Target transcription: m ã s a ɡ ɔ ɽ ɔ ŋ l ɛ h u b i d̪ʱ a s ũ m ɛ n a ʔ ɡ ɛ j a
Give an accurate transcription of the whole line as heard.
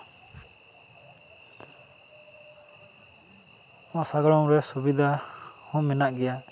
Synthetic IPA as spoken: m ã s a ɡ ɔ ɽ ɔ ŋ ɾ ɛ s u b i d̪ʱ a h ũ m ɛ n a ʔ ɡ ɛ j a